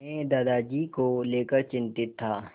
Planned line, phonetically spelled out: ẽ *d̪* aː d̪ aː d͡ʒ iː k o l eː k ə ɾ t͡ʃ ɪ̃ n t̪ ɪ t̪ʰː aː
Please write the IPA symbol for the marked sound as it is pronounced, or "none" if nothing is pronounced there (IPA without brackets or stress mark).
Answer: d̪